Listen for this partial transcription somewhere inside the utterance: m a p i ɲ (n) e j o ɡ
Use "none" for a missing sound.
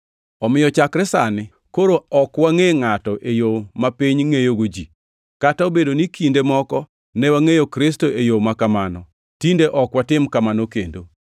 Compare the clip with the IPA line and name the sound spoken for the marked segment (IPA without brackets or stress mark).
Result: ŋ